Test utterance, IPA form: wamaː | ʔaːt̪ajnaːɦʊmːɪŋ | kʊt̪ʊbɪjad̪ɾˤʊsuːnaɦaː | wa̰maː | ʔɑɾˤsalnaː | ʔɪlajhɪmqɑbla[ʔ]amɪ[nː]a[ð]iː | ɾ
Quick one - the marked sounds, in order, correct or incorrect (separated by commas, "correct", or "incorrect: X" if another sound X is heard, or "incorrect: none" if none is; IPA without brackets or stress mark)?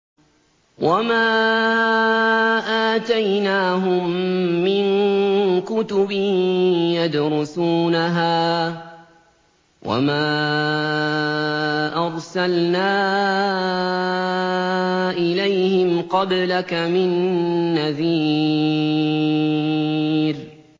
incorrect: k, correct, correct